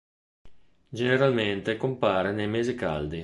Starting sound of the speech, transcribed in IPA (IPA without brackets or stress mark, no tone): d͡ʒ